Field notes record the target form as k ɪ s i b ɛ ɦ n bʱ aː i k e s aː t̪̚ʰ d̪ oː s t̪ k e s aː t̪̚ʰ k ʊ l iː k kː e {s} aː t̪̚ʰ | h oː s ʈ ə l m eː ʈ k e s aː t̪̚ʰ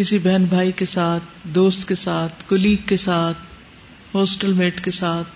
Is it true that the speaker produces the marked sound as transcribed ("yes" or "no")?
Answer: yes